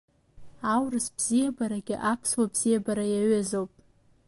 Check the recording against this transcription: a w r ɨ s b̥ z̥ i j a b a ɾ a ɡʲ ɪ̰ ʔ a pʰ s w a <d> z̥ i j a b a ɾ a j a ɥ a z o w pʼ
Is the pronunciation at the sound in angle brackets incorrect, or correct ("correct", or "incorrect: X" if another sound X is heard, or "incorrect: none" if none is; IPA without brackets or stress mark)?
incorrect: b